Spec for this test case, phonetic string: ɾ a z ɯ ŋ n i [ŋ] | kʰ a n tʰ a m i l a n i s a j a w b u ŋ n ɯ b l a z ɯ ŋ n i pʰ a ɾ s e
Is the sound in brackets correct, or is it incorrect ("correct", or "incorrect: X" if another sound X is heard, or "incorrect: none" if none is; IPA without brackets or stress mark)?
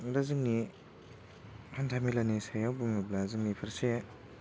incorrect: none